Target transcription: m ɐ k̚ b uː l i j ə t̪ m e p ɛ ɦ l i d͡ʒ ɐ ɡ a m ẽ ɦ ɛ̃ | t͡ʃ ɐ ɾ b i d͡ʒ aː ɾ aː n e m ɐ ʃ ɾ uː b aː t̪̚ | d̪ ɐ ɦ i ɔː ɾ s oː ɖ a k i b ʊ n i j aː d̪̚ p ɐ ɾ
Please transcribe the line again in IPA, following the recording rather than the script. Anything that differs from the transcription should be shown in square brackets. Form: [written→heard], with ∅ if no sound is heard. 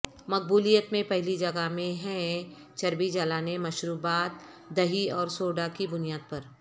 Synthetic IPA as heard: m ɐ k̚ b uː l i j ə t̪ m [e→ẽ] p ɛ ɦ l i d͡ʒ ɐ ɡ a m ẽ ɦ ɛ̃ | t͡ʃ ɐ ɾ b i d͡ʒ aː [ɾ→l] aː n e m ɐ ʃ ɾ uː b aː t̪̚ | d̪ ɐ ɦ i ɔː ɾ s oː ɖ a k i b ʊ n i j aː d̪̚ p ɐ ɾ